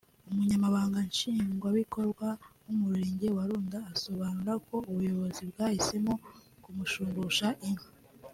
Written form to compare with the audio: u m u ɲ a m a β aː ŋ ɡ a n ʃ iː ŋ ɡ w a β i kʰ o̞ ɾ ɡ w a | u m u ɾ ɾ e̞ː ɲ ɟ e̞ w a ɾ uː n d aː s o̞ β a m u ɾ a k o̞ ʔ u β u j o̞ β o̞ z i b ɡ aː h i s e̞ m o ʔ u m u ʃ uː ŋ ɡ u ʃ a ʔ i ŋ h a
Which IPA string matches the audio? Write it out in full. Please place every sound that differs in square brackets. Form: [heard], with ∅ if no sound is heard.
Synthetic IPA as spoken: u m u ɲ a m a β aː ŋ ɡ a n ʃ iː ŋ ɡ w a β i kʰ o̞ ɾ ɡ w a | u m u ɾ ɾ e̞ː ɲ ɟ e̞ w a ɾ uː n d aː s o̞ β a [n] u ɾ a k o̞ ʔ u β u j o̞ β o̞ z i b ɡ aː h i s e̞ m o [k] u m u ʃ uː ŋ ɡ u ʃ a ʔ i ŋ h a